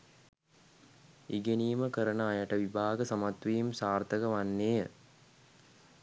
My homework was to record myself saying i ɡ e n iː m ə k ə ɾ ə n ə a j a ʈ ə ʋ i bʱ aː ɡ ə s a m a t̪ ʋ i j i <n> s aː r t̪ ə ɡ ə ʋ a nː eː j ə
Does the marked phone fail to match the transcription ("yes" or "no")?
yes